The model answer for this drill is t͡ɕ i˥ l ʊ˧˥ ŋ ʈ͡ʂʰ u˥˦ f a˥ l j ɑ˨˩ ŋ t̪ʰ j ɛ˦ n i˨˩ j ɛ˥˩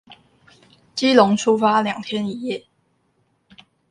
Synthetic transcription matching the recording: t͡ɕ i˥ l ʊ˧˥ ŋ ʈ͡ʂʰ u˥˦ f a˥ l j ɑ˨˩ ŋ t̪ʰ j ɛ˦ n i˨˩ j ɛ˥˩